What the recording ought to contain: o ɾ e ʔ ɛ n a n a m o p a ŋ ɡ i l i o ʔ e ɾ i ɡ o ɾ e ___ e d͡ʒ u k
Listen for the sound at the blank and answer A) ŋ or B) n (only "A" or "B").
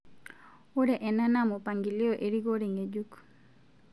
A